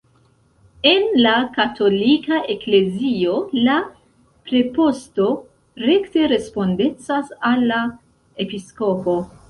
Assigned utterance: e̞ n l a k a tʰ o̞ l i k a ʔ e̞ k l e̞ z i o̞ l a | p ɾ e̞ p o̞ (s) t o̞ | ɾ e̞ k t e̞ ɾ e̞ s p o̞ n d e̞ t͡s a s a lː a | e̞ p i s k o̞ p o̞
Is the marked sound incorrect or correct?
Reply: correct